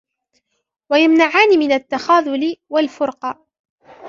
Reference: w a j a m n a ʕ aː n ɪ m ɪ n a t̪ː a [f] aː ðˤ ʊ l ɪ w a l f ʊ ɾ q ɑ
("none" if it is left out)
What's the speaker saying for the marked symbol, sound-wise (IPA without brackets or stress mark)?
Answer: x